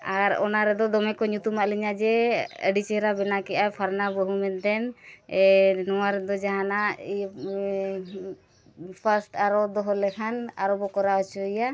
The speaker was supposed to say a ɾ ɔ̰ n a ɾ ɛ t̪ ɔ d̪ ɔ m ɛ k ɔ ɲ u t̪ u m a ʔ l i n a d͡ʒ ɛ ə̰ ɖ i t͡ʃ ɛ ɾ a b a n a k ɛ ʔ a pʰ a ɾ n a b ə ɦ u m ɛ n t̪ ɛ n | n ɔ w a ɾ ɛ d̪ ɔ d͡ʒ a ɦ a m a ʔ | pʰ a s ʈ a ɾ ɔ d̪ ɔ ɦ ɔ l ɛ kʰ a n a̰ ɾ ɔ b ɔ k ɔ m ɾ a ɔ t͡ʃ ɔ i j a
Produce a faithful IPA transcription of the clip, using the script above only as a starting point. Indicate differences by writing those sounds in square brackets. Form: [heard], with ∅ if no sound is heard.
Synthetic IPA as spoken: a ɾ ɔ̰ n a ɾ ɛ [d̪] ɔ d̪ ɔ m ɛ k ɔ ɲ u t̪ u m a ʔ l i [ɲ] a d͡ʒ ɛ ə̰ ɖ i t͡ʃ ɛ ɾ a b [ɛ] n a k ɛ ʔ a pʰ a ɾ n a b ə ɦ u m ɛ n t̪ ɛ n | n ɔ w a ɾ ɛ d̪ ɔ d͡ʒ a ɦ a [n] a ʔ | pʰ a s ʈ a ɾ ɔ d̪ ɔ ɦ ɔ l ɛ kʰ a n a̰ ɾ ɔ b ɔ k ɔ [∅] ɾ a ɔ t͡ʃ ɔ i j a

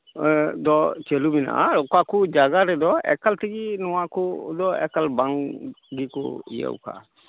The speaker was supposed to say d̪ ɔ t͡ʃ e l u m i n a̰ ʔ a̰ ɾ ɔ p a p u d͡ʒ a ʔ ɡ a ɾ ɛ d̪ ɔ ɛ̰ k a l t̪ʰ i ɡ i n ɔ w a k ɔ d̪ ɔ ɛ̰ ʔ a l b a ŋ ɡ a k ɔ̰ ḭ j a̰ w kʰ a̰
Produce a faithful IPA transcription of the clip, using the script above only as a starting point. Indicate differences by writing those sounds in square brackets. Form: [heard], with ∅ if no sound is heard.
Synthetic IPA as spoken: d̪ ɔ t͡ʃ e l u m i n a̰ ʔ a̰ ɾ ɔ [k] a [k] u d͡ʒ a [∅] ɡ a ɾ ɛ d̪ ɔ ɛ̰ k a l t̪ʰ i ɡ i n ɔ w a k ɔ d̪ ɔ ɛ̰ [k] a l b a ŋ ɡ [i] k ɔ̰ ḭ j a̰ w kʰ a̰

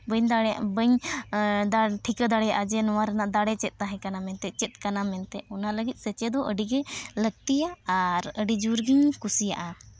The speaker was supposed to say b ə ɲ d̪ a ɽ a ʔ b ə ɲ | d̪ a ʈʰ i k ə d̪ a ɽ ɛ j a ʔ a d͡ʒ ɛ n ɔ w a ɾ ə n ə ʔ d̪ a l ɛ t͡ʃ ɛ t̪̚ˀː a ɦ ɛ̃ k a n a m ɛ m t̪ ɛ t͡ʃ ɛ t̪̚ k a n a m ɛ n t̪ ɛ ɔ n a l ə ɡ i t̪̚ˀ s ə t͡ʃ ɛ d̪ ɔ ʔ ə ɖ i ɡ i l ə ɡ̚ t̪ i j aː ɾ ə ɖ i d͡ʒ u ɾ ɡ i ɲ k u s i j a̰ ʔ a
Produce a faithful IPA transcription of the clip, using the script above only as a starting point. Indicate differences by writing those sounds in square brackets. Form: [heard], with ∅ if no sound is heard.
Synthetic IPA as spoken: b ə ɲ d̪ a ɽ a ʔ b ə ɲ | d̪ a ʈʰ i k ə d̪ a ɽ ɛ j a ʔ a d͡ʒ ɛ n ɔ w a ɾ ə n [a] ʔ d̪ a [ɽ] ɛ t͡ʃ ɛ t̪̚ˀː a ɦ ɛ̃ k a n a m ɛ [n] t̪ ɛ t͡ʃ ɛ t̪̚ k a n a m ɛ n t̪ ɛ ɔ n a l ə ɡ i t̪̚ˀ s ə t͡ʃ ɛ d̪ ɔ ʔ ə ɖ i ɡ [ɛ] l ə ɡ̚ t̪ i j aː ɾ ə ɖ i d͡ʒ u ɾ ɡ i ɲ k u s i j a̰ ʔ a

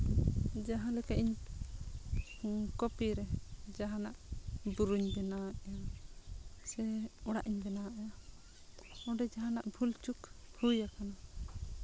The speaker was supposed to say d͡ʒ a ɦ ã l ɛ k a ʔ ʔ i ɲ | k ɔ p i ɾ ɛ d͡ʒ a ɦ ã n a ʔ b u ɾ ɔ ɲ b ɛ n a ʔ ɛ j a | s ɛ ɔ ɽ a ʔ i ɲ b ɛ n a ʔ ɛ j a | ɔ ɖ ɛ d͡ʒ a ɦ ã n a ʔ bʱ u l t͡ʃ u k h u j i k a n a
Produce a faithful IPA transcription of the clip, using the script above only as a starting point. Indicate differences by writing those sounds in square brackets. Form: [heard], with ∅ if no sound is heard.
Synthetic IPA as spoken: d͡ʒ a ɦ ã l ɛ k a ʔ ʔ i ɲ | k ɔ p i ɾ ɛ d͡ʒ a ɦ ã n a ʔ b u ɾ [u] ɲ b ɛ n a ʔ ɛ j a | s ɛ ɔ ɽ a ʔ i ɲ b ɛ n a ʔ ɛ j a | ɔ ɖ ɛ d͡ʒ a ɦ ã n a ʔ bʱ u l t͡ʃ u k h u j [a] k a n a

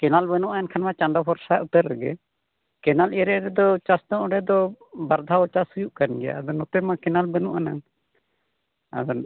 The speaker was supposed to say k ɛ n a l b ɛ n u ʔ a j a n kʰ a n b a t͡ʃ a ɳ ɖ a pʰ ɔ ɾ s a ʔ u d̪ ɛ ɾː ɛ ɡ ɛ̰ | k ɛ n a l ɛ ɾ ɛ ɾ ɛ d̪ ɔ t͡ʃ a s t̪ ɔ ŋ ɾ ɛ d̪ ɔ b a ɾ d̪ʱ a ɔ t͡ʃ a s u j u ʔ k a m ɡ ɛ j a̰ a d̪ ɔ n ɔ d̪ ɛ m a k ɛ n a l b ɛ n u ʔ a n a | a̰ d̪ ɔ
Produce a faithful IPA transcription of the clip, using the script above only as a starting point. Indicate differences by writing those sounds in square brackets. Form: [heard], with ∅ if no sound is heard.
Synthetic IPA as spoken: k ɛ n a l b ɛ n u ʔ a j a n kʰ a n [m] a t͡ʃ a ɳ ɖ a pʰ ɔ ɾ s a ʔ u [t̪] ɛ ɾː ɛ ɡ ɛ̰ | k ɛ n a l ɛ ɾ ɛ ɾ ɛ d̪ ɔ t͡ʃ a s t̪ ɔ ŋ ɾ ɛ d̪ ɔ b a ɾ d̪ʱ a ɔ t͡ʃ a s u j u ʔ k a [n] ɡ ɛ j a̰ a d̪ ɔ n ɔ [t̪] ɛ m a k ɛ n a l b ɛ n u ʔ a n a | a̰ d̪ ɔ

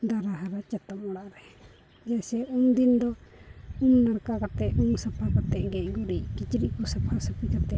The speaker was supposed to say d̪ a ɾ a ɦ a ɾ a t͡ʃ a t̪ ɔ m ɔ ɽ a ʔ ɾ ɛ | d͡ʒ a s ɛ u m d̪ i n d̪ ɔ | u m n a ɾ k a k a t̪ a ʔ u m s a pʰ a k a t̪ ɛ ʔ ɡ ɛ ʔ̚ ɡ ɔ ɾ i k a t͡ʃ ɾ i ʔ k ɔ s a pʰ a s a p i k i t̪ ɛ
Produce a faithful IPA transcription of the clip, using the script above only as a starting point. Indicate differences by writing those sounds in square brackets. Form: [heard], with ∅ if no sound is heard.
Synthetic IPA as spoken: d̪ a ɾ a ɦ a ɾ a t͡ʃ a t̪ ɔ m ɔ ɽ a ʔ ɾ ɛ | d͡ʒ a s ɛ u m d̪ i n d̪ ɔ | u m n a ɾ k a k a t̪ [ɛ] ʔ u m s a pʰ a k a t̪ ɛ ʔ ɡ ɛ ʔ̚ ɡ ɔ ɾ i k [i] t͡ʃ ɾ i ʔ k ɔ s a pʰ a s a p i k [a] t̪ ɛ

